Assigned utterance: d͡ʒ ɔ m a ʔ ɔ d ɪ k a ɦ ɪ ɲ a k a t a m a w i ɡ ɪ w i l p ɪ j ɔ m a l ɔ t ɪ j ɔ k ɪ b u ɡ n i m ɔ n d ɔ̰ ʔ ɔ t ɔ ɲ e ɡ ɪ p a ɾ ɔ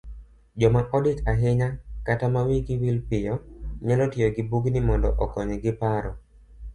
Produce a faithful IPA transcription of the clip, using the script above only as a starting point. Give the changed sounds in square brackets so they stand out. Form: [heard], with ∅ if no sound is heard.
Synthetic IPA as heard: d͡ʒ ɔ m a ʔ ɔ d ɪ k a ɦ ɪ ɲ a k a t a m a w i ɡ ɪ w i l p ɪ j ɔ [ɲ] a l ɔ t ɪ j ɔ [ɡ] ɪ b u ɡ n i m ɔ n d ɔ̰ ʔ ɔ [k] ɔ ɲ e ɡ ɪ p a ɾ ɔ

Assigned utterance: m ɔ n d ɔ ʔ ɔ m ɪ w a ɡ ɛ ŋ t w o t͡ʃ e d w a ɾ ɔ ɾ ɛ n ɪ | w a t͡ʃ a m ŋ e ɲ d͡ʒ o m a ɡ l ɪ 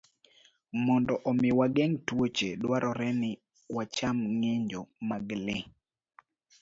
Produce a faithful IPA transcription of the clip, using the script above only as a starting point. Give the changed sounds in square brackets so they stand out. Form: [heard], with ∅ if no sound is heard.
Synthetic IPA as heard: m ɔ n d ɔ ʔ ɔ m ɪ w a ɡ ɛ ŋ t w o t͡ʃ e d w a ɾ ɔ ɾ ɛ n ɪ | w a t͡ʃ a m ŋ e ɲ d͡ʒ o m a ɡ l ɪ

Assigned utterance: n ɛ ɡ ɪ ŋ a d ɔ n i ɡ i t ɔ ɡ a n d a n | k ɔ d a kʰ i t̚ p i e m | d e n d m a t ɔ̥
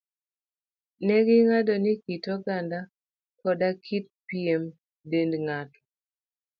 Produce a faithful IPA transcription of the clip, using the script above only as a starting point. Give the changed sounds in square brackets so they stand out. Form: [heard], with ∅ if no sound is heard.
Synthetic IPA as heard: n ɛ ɡ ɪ ŋ a d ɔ n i [k] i t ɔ ɡ a n d a [∅] | k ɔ d a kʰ i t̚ p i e m | d e n d [ŋ] a t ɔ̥

